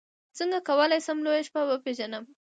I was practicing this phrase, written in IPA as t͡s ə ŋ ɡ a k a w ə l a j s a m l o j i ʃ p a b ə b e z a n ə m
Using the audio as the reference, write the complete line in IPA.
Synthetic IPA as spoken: t͡s ə ŋ ɡ a k a w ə l a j s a m l o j a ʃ p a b ə p e ʒ a n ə m